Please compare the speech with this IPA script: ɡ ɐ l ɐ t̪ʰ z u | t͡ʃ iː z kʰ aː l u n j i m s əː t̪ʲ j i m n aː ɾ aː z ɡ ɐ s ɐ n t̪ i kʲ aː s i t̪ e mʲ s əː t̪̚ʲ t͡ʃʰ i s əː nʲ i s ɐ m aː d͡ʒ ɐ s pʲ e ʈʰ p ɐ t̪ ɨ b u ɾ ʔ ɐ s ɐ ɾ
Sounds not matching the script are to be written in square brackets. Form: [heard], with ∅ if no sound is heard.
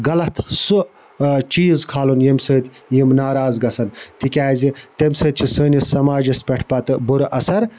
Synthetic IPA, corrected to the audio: ɡ ɐ l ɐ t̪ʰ [s] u | t͡ʃ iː z kʰ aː l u n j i m s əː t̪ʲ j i m n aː ɾ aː z ɡ ɐ s ɐ n t̪ i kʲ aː [z] i t̪ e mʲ s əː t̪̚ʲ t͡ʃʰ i s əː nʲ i s ɐ m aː d͡ʒ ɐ s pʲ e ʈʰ p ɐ t̪ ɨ b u ɾ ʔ ɐ s ɐ ɾ